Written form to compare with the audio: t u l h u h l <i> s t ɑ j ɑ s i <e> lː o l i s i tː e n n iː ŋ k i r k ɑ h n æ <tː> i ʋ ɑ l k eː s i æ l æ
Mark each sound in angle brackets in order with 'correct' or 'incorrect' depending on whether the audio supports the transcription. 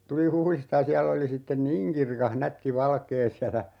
correct, incorrect: æ, correct

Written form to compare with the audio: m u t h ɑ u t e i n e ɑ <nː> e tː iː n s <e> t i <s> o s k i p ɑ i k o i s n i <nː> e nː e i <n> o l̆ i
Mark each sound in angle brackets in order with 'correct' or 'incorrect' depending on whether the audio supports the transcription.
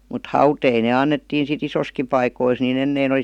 correct, incorrect: i, correct, incorrect: n, correct

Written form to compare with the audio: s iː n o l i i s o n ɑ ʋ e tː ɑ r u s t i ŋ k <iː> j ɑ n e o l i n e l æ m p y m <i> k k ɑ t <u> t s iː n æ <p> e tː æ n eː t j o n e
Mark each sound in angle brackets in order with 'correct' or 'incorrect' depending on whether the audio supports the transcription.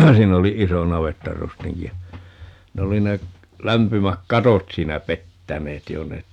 incorrect: i, incorrect: æ, incorrect: o, correct

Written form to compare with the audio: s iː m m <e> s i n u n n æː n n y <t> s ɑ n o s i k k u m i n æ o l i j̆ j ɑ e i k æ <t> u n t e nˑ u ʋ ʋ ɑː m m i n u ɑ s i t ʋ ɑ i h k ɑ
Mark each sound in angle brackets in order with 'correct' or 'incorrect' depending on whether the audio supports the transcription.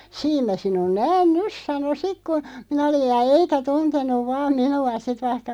incorrect: æ, incorrect: s, correct

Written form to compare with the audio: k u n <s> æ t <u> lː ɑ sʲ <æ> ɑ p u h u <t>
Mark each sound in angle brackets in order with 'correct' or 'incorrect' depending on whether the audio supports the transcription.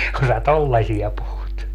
correct, incorrect: o, incorrect: i, correct

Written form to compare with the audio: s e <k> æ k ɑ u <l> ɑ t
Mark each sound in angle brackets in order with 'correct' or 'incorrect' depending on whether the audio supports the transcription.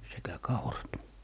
correct, incorrect: r

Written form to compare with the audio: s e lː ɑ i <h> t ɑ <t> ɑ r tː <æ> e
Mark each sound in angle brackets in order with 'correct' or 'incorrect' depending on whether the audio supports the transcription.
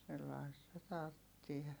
incorrect: s, correct, incorrect: i

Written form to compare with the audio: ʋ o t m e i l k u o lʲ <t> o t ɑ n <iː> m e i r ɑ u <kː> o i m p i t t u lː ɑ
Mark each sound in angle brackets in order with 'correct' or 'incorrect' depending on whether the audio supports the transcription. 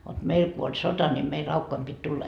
incorrect: s, incorrect: i, correct

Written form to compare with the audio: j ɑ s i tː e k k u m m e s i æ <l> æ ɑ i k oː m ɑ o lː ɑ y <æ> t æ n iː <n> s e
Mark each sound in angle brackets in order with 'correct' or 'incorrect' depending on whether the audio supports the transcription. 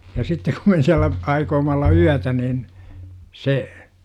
incorrect: lː, correct, correct

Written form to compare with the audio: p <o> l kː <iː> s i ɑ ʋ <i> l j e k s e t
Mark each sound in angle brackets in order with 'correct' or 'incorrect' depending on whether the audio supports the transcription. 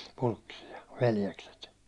incorrect: u, incorrect: i, incorrect: e

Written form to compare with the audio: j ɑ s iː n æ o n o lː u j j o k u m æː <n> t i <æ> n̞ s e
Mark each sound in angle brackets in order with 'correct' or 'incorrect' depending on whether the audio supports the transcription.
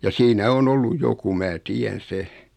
incorrect: none, correct

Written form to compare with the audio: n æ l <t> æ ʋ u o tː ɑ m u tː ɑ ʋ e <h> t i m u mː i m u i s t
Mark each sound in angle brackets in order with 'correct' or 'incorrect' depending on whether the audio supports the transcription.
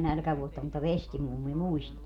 incorrect: k, incorrect: s

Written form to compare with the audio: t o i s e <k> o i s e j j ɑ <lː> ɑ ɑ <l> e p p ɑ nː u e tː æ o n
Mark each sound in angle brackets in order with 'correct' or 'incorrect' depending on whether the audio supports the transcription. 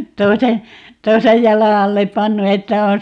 incorrect: t, incorrect: l, incorrect: lː

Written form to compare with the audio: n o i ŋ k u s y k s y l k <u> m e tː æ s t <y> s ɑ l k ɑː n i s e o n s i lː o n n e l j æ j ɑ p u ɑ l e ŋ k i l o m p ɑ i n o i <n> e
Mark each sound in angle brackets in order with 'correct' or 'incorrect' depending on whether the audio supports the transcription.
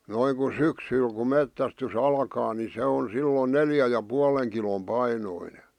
correct, correct, correct

